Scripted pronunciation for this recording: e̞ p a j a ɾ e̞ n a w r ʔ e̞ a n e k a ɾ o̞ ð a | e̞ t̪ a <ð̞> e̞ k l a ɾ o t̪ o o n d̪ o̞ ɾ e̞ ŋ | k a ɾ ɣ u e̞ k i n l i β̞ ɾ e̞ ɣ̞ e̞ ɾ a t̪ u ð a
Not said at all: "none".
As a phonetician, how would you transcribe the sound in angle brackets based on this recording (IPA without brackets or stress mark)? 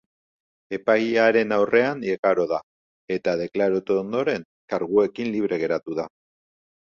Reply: ð̞